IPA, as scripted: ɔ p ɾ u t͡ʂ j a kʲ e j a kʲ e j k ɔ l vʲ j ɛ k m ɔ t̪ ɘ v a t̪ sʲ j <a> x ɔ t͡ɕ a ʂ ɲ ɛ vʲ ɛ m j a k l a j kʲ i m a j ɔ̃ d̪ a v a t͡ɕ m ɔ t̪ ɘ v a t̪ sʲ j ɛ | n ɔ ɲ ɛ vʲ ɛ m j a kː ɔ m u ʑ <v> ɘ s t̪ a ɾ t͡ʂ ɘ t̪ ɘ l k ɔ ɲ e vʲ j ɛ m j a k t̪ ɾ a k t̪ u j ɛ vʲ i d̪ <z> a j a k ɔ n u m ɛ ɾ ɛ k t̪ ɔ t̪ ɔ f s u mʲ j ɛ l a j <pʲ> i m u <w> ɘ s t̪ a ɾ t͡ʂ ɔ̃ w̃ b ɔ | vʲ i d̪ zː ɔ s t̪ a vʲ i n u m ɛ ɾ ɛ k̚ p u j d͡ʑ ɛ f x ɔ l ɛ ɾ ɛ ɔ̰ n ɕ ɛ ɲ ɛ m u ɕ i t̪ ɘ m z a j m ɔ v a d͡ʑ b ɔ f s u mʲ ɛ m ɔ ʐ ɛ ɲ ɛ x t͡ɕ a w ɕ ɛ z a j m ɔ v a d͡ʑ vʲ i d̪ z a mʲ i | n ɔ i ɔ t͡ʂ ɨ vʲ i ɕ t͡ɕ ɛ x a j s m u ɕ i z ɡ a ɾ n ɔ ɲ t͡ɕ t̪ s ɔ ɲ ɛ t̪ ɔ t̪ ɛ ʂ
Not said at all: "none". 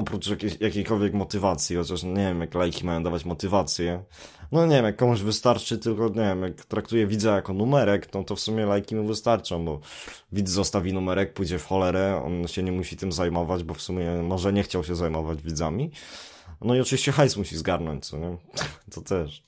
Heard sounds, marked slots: i, v, z, kʲ, v

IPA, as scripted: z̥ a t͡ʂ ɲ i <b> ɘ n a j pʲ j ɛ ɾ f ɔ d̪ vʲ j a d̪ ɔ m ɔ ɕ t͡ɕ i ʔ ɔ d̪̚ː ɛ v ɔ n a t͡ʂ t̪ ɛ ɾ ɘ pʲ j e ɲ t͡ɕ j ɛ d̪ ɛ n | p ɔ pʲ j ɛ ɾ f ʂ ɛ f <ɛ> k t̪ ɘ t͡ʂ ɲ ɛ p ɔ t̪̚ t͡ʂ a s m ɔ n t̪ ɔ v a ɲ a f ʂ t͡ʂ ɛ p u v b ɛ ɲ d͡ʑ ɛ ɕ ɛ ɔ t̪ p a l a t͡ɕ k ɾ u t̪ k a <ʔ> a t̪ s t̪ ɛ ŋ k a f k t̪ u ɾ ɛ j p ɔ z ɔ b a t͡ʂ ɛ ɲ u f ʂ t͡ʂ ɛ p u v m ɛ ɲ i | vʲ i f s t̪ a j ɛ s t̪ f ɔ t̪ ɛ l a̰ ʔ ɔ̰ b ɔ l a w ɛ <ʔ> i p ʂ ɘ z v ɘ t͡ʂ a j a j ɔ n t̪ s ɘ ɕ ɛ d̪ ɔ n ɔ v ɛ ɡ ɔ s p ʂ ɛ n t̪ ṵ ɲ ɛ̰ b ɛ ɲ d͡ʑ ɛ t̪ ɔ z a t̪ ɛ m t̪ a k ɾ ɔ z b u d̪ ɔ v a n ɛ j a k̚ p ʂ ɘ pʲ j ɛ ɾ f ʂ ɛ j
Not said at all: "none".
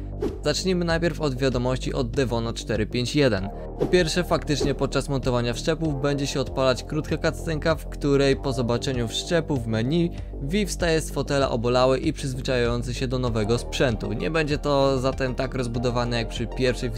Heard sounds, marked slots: m, a, k, ʔ

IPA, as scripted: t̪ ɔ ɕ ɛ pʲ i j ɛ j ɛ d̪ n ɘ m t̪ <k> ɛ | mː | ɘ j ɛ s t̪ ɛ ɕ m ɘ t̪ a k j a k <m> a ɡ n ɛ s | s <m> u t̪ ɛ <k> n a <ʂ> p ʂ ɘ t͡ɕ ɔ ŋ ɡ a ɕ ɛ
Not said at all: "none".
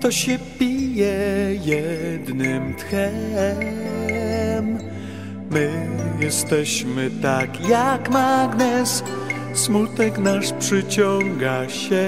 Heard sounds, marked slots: x, m, m, k, ʂ

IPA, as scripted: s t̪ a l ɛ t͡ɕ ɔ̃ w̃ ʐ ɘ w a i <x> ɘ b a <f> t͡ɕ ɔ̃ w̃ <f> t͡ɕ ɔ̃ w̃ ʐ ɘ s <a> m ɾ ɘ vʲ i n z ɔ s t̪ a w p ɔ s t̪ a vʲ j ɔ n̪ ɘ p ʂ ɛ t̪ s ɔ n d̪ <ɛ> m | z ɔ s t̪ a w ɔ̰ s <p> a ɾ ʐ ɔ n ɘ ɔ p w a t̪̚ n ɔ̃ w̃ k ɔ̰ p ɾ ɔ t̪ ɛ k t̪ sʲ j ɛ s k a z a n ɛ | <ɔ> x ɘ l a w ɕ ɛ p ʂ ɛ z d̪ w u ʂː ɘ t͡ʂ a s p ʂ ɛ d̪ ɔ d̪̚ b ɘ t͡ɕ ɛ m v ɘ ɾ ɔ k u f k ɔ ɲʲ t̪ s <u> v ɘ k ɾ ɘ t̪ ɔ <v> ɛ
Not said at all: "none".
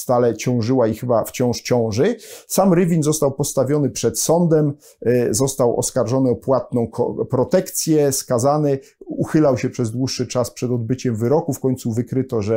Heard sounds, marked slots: x, f, ʂ, a, ɛ, k, u, u, ʐ

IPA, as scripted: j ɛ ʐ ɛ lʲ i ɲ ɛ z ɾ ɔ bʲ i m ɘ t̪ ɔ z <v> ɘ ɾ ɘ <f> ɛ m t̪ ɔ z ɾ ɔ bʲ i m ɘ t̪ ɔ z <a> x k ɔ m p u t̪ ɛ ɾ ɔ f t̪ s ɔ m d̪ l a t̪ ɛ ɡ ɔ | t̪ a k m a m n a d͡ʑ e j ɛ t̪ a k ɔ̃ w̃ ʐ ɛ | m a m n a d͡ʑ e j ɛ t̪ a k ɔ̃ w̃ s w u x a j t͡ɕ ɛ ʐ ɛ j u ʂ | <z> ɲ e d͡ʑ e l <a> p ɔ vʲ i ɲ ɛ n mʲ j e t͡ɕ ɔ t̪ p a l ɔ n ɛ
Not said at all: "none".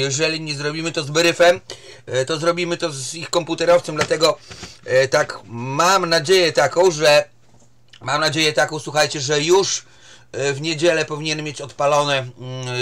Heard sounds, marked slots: b, f, i, v, ɛ

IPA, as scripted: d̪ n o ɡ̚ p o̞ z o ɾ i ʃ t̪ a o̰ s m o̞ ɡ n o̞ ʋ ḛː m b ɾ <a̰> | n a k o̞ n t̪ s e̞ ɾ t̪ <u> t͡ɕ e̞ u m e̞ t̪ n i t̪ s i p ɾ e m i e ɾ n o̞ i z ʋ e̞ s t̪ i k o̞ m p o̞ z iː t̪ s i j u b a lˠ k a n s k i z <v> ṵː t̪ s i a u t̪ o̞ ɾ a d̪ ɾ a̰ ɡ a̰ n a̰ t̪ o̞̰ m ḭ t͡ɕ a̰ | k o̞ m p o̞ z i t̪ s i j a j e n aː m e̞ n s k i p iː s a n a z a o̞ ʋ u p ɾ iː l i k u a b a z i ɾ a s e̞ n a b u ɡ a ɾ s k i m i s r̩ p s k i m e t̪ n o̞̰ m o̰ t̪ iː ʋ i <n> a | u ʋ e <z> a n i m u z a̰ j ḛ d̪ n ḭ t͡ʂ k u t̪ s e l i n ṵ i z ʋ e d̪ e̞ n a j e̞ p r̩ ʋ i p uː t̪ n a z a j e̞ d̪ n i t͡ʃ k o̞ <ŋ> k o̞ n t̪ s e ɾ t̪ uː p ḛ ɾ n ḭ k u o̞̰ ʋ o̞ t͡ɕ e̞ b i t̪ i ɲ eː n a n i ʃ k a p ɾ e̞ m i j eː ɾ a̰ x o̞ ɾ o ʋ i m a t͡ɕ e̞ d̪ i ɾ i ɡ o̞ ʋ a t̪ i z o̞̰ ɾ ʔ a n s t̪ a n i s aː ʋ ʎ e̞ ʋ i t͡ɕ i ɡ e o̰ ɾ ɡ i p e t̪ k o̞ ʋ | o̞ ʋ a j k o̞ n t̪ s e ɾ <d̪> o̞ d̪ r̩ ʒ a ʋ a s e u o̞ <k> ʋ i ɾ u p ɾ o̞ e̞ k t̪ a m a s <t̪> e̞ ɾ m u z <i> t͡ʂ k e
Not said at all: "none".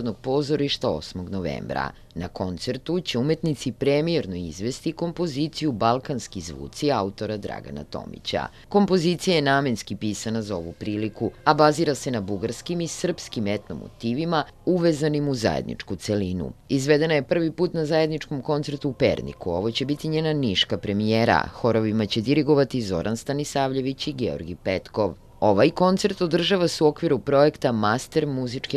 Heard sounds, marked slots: a̰, u, ʋ, m, z, m, t̪, k, t̪, i

